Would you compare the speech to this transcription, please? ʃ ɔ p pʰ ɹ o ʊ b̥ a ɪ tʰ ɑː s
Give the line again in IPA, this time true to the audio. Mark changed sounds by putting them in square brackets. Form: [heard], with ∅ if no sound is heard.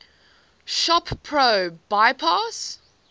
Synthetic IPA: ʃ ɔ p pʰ ɹ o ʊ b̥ a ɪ [pʰ] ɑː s

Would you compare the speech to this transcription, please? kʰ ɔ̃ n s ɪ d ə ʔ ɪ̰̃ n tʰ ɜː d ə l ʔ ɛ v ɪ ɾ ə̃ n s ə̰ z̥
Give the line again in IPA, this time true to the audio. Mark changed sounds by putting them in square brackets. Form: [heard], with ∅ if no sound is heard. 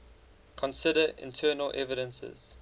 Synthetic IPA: kʰ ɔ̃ n s ɪ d ə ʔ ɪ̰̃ n tʰ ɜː [n] ə l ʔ ɛ v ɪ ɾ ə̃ n s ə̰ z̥

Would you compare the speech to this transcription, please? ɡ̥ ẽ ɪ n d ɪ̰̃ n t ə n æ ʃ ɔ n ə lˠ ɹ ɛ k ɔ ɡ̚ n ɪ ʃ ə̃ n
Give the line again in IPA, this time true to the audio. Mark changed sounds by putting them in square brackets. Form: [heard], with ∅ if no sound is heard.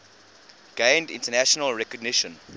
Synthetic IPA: ɡ̥ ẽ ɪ n d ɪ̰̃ n t ə n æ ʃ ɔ n ə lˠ ɹ ɛ k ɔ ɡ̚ n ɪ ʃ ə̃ n

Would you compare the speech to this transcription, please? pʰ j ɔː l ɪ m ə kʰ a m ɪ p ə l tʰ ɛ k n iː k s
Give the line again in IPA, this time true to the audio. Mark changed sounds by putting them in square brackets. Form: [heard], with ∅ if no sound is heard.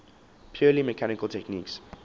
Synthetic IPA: pʰ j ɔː l [i] m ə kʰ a [n] ɪ [k] ə l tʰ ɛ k n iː k s

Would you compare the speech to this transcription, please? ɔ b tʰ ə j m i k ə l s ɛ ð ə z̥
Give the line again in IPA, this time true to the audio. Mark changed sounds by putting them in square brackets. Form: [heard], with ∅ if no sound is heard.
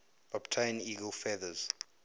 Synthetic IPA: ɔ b tʰ [a] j [n] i [ɡ] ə l [f] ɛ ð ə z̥

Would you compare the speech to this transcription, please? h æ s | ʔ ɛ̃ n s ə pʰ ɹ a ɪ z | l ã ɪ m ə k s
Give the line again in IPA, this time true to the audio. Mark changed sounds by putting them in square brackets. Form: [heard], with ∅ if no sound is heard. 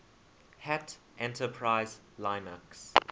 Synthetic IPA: h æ [t] | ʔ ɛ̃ n [t] ə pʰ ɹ a ɪ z | l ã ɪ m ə k s

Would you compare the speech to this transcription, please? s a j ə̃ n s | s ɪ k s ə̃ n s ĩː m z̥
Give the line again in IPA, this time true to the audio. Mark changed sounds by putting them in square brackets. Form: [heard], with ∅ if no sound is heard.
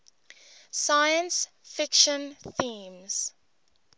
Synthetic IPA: s a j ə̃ n s | [f] ɪ k [ʃ] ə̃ n [θ] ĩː m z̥

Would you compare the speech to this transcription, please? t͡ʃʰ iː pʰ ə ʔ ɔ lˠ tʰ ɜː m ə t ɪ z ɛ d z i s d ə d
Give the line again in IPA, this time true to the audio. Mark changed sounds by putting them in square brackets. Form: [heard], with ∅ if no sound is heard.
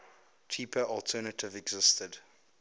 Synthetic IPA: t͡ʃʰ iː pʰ ə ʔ ɔ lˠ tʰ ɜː [n] ə t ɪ [v] ɛ [ɡ] z [ɪ] s [t] ə d

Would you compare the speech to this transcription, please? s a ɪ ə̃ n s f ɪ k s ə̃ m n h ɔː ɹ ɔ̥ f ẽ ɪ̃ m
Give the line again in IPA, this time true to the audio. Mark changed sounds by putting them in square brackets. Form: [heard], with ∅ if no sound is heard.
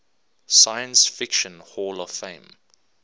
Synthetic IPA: s a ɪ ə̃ n s f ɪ k [ʃ] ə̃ [∅] n h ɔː [l] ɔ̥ f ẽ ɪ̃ m

